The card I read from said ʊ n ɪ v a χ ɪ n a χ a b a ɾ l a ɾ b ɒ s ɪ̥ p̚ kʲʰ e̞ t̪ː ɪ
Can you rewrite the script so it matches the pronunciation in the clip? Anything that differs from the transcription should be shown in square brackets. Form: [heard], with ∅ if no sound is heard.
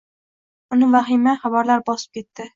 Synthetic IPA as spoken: ʊ n ɪ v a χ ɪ [m] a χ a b a ɾ l a ɾ b ɒ s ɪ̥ p̚ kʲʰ e̞ t̪ː ɪ